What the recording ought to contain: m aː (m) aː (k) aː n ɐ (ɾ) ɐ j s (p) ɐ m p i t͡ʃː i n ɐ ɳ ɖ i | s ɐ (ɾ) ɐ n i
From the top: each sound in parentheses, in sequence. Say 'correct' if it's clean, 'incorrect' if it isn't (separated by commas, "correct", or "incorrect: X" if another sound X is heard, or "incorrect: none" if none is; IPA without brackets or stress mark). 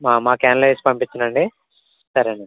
correct, correct, incorrect: l, correct, correct